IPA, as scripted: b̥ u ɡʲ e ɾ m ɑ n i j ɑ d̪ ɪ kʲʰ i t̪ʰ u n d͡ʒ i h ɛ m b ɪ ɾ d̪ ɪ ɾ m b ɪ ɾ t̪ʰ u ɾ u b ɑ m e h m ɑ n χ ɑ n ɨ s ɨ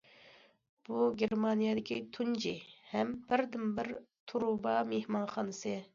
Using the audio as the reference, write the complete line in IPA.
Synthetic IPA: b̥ u ɡʲ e ɾ m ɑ n i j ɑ d̪ ɪ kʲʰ i t̪ʰ u n d͡ʒ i h ɛ m b ɪ ɾ d̪ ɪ m b ɪ ɾ t̪ʰ u ɾ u b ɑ m e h m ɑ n χ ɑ n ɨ s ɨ